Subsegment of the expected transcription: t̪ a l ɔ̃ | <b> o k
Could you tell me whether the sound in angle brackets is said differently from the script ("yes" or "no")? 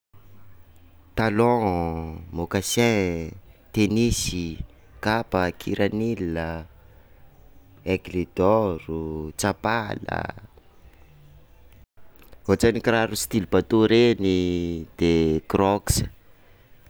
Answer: yes